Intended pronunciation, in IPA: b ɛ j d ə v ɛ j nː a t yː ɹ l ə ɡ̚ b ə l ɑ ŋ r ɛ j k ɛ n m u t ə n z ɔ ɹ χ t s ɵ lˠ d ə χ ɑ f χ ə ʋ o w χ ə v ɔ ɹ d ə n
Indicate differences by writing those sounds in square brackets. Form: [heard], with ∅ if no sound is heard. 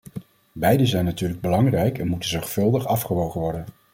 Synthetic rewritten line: b ɛ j d ə [z] ɛ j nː a t yː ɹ l ə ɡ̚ b ə l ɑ ŋ r ɛ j k ɛ n m u t ə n z ɔ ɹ χ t [f] ɵ lˠ d ə χ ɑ f χ ə ʋ o w χ ə [ʋ] ɔ ɹ d ə n